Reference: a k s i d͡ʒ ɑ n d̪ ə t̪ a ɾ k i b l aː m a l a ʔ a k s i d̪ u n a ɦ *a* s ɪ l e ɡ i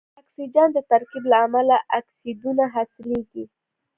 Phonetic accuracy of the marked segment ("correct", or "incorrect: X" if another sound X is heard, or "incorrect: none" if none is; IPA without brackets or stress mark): correct